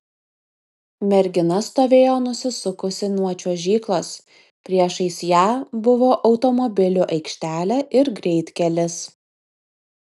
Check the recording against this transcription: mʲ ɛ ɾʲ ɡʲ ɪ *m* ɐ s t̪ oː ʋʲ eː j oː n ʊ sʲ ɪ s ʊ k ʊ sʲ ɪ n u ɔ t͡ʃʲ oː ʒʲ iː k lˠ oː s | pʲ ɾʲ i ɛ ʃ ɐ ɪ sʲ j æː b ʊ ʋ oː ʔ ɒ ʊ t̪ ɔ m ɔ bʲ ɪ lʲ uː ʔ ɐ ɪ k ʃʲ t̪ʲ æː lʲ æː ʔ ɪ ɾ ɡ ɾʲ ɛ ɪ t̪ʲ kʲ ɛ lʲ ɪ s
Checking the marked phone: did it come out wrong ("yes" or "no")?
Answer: yes